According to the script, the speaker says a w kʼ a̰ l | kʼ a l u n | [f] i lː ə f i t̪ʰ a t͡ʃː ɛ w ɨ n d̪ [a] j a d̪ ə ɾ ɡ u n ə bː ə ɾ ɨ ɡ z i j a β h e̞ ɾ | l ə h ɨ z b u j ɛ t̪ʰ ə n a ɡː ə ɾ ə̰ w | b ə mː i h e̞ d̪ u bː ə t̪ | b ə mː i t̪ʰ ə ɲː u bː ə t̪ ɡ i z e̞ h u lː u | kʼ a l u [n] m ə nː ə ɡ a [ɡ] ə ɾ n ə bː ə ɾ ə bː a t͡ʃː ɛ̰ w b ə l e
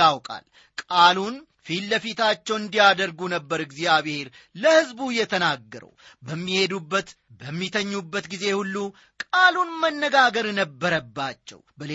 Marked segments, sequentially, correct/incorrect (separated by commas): correct, incorrect, correct, correct